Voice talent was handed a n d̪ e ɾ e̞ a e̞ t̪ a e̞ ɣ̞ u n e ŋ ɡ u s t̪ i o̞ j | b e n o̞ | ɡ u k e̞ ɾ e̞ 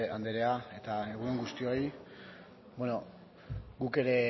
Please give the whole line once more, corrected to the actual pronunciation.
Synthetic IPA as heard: a n d̪ e ɾ e̞ a e̞ t̪ a e̞ ɣ̞ u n e ŋ ɡ u s t̪ i o̞ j | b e n o̞ | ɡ u k e̞ ɾ e̞